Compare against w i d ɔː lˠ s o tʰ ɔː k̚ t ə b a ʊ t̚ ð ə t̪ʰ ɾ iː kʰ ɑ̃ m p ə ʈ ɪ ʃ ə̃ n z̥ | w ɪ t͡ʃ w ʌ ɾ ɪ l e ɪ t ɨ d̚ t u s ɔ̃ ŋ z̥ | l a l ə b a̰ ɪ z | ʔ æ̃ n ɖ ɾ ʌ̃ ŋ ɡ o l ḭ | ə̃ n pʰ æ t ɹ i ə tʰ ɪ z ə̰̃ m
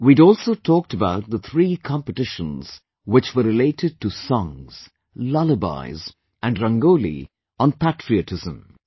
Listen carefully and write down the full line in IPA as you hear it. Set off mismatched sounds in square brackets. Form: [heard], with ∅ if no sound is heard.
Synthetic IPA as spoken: w i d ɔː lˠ s o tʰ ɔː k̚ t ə b a ʊ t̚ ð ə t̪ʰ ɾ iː kʰ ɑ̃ m p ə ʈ ɪ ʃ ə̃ n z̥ | w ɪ t͡ʃ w [ə] ɾ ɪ l e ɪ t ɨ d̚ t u s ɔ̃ ŋ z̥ | l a l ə b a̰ ɪ z | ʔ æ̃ n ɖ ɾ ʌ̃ ŋ ɡ o l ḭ | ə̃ n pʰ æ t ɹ i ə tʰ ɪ z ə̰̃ m